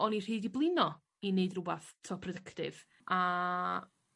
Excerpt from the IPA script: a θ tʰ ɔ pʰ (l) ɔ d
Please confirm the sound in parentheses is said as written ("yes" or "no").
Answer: no